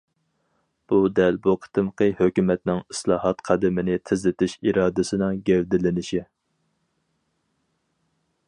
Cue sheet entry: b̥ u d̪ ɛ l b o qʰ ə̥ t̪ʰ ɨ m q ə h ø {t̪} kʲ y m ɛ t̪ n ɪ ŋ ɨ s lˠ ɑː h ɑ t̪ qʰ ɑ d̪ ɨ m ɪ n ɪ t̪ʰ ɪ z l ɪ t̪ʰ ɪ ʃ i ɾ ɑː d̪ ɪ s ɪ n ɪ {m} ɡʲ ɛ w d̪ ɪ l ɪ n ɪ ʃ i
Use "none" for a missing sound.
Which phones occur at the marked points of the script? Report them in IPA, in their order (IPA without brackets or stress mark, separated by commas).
none, ŋ